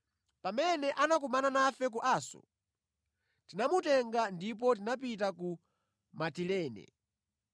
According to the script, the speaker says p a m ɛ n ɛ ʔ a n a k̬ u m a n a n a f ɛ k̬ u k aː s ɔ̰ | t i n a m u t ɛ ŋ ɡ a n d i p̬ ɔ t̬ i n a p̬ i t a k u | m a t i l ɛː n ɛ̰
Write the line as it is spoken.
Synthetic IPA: p a m ɛ n ɛ ʔ a n a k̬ u m a n a n a f ɛ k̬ u ʔ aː s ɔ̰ | t i n a m u t ɛ ŋ ɡ a n d i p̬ ɔ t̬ i n a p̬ i t a k u | m a t i l ɛː n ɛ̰

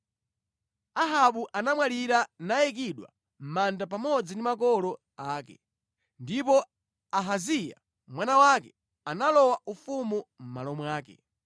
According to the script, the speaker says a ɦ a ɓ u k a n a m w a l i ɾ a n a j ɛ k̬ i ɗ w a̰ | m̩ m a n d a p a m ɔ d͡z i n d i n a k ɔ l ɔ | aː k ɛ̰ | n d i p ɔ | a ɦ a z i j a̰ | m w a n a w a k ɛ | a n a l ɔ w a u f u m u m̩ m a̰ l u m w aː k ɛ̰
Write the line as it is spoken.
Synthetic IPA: a ɦ a ɓ u ʔ a n a m w a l i ɾ a n a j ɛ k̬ i ɗ w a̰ | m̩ m a n d a p a m ɔ d͡z i n d i m a k ɔ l ɔ | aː k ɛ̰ | n d i p ɔ | a ɦ a z i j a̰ | m w a n a w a k ɛ | a n a l ɔ w a u f u m u m̩ m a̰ l ɔ m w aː k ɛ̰

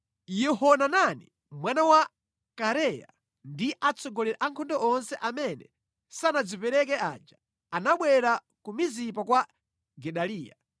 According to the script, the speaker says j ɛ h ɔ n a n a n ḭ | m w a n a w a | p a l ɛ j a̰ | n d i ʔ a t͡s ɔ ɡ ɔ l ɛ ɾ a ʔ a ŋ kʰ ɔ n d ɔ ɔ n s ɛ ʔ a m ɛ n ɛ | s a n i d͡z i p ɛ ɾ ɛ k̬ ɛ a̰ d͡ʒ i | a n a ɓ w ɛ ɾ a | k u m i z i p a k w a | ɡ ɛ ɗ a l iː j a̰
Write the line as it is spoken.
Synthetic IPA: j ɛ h ɔ n a n a n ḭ | m w a n a w a | k a ɾ ɛ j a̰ | n d i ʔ a t͡s ɔ ɡ ɔ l ɛ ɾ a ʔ a ŋ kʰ ɔ n d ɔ ɔ n s ɛ ʔ a m ɛ n ɛ | s a n a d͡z i p ɛ ɾ ɛ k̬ ɛ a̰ d͡ʒ a | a n a ɓ w ɛ ɾ a | k u m i z i p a k w a | ɡ ɛ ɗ a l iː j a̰

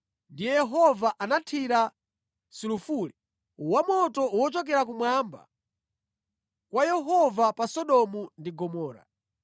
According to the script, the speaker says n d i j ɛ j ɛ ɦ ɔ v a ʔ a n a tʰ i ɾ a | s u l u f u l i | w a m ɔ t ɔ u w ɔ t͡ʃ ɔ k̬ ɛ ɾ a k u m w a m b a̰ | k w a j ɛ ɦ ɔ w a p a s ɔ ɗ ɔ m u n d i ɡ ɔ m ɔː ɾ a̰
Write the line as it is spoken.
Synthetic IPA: n d i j ɛ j ɛ ɦ ɔ v a ʔ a n a tʰ i ɾ a | s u l u f u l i | w a m ɔ t ɔ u w ɔ t͡ʃ ɔ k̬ ɛ ɾ a k u m w a m b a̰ | k w a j ɛ ɦ ɔ v a p a s ɔ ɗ ɔ m u n d i ɡ ɔ m ɔː ɾ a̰

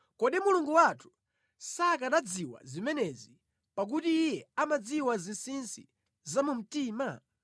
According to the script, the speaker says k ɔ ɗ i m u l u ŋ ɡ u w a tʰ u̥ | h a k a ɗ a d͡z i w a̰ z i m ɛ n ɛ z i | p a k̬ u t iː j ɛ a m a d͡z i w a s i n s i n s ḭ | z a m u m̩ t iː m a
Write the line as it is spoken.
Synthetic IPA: k ɔ ɗ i m u l u ŋ ɡ u w a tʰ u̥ | s a k a ɗ a d͡z i w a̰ z i m ɛ n ɛ z i | p a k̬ u t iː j ɛ a m a d͡z i w a z i n s i n s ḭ | z a m u m̩ t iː m a

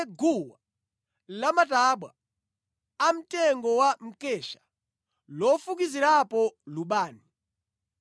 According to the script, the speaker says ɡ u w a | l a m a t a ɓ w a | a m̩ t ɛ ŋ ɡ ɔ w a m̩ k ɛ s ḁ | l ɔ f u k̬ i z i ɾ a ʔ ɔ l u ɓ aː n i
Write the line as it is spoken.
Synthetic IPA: ɡ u w a | l a m a t a ɓ w a | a m̩ t ɛ ŋ ɡ ɔ w a m̩ k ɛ ʃ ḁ | l ɔ f u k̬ i z i ɾ a p ɔ l u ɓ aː n i

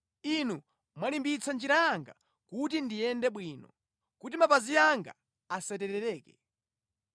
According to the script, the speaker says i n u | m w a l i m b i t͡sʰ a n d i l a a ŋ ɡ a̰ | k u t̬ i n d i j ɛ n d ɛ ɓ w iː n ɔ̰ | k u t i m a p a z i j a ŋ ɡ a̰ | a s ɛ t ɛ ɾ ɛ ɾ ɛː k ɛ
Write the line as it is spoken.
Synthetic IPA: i n u | m w a l i m b i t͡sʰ a n d͡ʒ i ɾ a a ŋ ɡ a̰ | k u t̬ i n d i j ɛ n d ɛ ɓ w iː n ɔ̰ | k u t i m a p a z i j a ŋ ɡ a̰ | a s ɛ t ɛ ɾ ɛ ɾ ɛː k ɛ

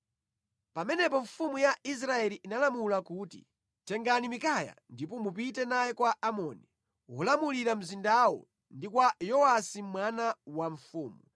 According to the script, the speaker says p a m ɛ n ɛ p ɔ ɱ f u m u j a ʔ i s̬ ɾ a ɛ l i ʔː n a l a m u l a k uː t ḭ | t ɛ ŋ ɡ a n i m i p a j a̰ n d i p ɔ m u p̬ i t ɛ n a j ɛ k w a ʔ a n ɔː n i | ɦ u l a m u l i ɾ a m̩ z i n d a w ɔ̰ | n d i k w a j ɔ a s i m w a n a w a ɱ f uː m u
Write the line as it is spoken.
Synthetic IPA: p a m ɛ n ɛ p ɔ ɱ f u m u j a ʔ i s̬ ɾ a ɛ l i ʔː n a l a m u l a k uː t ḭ | t ɛ ŋ ɡ a n i m i k a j a̰ n d i p ɔ m u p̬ i t ɛ n a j ɛ k w a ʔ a m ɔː n i | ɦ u l a m u l i ɾ a m̩ z i n d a w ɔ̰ | n d i k w a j ɔ a s i m w a n a w a ɱ f uː m u

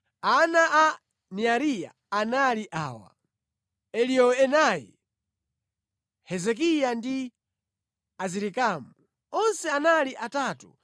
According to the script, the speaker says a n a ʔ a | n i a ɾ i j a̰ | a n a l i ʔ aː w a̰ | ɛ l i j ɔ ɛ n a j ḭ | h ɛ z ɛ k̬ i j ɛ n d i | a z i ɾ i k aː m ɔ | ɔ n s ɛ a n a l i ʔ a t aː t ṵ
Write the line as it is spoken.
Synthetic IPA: a n a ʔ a | n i a ɾ i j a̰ | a n a l i ʔ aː w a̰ | ɛ l i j ɔ ɛ n a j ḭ | h ɛ z ɛ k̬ i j a n d i | a z i ɾ i k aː m u | ɔ n s ɛ a n a l i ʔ a t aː t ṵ

